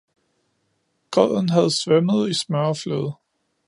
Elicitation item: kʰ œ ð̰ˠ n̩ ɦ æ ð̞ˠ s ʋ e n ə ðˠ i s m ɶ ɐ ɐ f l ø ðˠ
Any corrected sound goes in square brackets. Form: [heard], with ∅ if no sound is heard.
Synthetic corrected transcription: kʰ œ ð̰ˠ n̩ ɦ æ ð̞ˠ s ʋ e [m] ə ðˠ i s m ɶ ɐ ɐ f l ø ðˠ